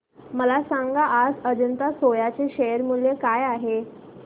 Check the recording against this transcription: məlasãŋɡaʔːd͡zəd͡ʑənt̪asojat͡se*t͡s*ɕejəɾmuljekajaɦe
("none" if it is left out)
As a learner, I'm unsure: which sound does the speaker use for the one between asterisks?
none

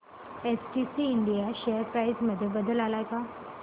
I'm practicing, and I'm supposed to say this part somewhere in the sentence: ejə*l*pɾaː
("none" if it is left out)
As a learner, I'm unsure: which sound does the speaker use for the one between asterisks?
ɾ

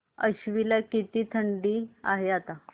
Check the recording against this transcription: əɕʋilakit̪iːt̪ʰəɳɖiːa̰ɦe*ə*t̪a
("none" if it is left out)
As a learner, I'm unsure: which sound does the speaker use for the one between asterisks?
a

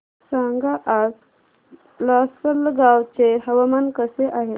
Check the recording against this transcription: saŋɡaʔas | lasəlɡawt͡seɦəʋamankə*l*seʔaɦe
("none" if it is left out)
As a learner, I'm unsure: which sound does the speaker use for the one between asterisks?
none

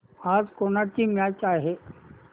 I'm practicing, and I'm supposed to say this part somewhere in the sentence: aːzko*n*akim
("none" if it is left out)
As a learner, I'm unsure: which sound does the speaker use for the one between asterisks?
n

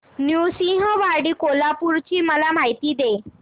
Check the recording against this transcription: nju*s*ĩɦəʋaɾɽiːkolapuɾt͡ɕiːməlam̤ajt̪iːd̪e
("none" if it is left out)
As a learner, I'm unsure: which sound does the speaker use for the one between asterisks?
s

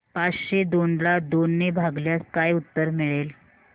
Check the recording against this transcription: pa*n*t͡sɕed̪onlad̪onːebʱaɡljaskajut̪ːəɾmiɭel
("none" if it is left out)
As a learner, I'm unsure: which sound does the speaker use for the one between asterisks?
none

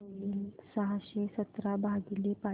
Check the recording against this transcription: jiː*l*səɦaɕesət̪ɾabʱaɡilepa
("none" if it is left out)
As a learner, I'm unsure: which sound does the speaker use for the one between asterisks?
l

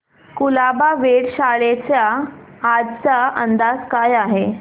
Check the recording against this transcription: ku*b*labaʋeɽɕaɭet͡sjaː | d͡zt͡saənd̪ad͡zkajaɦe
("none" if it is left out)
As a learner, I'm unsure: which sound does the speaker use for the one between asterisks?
none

